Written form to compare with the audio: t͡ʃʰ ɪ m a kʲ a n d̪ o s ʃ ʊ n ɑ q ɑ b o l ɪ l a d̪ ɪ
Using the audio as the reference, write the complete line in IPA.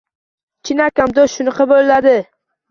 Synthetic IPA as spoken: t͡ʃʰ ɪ n a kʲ a m d̪ o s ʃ ʊ n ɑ q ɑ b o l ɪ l a d̪ ɪ

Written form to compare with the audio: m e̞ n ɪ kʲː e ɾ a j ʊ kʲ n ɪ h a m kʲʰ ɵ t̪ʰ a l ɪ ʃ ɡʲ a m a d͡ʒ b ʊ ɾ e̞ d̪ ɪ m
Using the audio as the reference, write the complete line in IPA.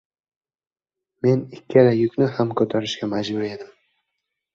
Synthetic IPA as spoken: m e̞ n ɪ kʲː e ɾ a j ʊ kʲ n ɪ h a m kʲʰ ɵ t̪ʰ a ɾ ɪ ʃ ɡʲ a m a d͡ʒ b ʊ ɾ e̞ d̪ ɪ m

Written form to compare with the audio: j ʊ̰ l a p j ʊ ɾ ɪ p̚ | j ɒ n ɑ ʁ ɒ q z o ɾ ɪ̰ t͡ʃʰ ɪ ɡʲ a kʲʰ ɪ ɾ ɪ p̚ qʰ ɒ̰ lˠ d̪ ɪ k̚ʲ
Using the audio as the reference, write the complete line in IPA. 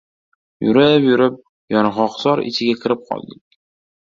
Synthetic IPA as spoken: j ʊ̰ ɾ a p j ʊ ɾ ɪ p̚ | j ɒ n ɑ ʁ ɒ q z ɒ ɾ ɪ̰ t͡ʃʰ ɪ ɡʲ a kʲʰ ɪ ɾ ɪ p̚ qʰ ɒ̰ lˠ d̪ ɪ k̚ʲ

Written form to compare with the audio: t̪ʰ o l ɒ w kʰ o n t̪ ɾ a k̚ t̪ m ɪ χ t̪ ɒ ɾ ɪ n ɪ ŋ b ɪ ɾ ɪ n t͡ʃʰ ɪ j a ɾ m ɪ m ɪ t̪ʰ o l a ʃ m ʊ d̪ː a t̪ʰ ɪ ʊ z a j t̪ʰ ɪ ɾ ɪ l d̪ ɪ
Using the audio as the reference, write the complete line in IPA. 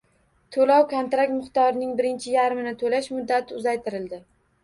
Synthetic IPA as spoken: t̪ʰ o l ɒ w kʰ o n t̪ ɾ a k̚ t̪ m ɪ χ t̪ ɒ ɾ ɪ n ɪ ŋ b ɪ ɾ ɪ n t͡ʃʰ ɪ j a ɾ m ɪ n ɪ t̪ʰ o l a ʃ m ʊ d̪ː a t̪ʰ ɪ ʊ z a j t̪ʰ ɪ ɾ ɪ l d̪ ɪ

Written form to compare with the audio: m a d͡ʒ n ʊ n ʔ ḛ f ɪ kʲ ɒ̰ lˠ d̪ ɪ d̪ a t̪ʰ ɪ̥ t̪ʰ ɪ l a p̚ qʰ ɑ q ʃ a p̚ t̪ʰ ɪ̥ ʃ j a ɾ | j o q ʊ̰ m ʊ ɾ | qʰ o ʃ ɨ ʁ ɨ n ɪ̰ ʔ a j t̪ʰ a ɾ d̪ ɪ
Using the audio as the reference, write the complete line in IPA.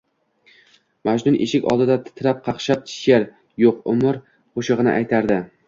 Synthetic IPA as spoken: m a d͡ʒ n ʊ n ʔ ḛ ʃ ɪ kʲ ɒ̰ lˠ d̪ ɪ d̪ a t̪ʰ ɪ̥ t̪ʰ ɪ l a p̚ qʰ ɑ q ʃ a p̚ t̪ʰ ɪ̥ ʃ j a ɾ | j o q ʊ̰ m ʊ ɾ | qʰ o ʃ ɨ ʁ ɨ n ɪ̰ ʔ a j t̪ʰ a ɾ d̪ ɪ

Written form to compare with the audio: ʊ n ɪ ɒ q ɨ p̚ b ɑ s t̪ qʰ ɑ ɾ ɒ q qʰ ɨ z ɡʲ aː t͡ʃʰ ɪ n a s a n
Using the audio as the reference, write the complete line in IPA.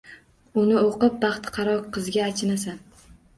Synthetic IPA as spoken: ʊ n ɪ o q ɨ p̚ b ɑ χ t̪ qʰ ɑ ɾ ɒ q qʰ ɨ z ɡʲ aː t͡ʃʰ ɪ n a s a n

